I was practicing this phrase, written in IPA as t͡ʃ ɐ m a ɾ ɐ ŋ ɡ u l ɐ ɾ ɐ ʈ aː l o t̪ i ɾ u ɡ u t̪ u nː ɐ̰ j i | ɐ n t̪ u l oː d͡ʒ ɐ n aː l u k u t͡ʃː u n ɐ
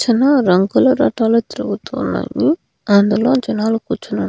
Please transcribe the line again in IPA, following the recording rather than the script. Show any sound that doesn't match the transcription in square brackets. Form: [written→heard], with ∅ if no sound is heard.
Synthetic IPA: t͡ʃ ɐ [m→n] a ɾ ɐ ŋ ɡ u l ɐ ɾ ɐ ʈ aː l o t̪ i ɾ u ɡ u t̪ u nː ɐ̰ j i | ɐ n [t̪→d̪] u l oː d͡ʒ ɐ n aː l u k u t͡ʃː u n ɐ